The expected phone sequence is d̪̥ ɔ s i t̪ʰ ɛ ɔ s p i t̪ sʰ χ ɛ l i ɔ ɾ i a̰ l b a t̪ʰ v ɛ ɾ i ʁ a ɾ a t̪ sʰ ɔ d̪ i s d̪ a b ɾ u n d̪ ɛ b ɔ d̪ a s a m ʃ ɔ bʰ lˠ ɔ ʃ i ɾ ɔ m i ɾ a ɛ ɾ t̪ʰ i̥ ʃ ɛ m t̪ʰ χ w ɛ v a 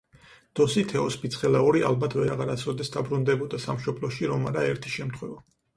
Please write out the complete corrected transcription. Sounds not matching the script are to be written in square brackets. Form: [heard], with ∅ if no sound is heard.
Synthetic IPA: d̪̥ ɔ s i t̪ʰ ɛ ɔ s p i t̪ sʰ χ ɛ l [a] ɔ ɾ i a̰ l b a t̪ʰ v ɛ ɾ [a] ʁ a ɾ a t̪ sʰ ɔ d̪ [ɛ] s d̪ a b ɾ u n d̪ ɛ b ɔ d̪ a s a m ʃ ɔ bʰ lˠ ɔ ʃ i ɾ ɔ m [a] ɾ a ɛ ɾ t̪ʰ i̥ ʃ ɛ m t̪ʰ χ w ɛ v a